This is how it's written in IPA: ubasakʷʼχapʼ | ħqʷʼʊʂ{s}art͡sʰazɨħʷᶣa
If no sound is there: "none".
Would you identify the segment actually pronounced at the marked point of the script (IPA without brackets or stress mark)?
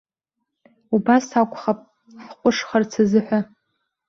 χ